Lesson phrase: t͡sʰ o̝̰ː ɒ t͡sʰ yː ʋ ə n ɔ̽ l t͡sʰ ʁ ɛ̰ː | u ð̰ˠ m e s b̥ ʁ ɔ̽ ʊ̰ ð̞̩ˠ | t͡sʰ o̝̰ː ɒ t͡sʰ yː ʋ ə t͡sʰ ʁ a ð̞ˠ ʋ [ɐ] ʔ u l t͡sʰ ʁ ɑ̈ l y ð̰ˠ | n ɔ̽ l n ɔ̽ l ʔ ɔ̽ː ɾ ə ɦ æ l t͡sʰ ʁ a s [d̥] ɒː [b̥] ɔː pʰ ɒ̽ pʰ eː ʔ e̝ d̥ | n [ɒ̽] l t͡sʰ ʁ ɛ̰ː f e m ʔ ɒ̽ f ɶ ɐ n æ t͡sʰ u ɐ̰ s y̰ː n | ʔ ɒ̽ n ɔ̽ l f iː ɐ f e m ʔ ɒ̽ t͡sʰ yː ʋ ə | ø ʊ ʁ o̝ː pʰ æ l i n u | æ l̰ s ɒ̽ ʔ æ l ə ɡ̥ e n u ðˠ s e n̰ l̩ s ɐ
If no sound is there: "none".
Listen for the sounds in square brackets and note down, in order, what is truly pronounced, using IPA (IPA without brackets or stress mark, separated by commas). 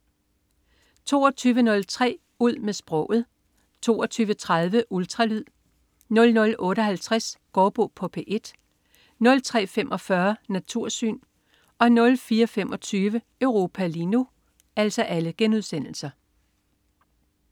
ə, ɡ̥, b̥, ɔ̽